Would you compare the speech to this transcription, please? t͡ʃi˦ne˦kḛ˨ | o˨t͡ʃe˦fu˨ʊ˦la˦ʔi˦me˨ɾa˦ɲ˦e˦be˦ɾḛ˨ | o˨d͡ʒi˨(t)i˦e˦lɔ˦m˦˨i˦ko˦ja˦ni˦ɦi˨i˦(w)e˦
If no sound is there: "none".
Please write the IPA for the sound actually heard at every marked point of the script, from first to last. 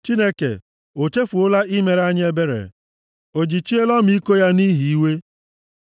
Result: t͡ʃ, w

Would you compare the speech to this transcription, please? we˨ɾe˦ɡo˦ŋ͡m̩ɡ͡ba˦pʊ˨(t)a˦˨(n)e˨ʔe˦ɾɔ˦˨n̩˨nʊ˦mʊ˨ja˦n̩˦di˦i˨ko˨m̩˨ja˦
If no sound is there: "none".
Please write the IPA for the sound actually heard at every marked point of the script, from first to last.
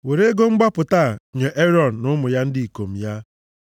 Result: t, ɲ

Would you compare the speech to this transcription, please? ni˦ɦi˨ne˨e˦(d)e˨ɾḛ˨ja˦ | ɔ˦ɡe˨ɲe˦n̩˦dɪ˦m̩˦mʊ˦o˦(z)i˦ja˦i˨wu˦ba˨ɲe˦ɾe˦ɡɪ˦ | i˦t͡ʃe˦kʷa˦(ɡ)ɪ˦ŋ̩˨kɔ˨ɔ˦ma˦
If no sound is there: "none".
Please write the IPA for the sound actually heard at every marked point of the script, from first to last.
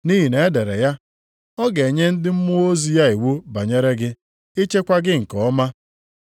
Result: d, z, ɡ

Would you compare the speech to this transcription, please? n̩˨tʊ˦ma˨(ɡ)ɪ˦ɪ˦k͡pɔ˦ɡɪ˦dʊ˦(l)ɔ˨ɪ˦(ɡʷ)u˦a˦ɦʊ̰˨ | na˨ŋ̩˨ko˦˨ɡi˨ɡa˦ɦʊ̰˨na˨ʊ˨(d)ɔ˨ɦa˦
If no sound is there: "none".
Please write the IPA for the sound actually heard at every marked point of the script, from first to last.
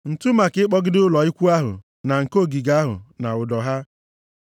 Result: k, l, kʷ, d

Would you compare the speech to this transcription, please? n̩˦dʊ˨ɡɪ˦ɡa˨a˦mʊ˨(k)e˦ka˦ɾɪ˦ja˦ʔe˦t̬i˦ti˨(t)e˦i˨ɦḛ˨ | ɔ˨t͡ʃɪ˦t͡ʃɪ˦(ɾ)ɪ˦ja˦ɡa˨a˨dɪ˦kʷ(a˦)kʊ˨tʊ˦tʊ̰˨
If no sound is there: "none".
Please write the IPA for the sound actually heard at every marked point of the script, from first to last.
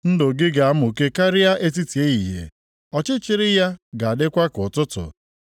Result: k, none, ɾ, a˦

